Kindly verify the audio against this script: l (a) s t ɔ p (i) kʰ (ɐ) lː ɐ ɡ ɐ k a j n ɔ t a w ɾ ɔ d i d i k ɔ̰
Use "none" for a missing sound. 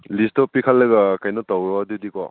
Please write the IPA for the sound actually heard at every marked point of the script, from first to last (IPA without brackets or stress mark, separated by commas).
i, i, a